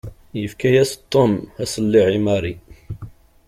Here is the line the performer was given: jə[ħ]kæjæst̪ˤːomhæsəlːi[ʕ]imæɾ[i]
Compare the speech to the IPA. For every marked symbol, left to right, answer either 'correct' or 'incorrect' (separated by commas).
incorrect, correct, correct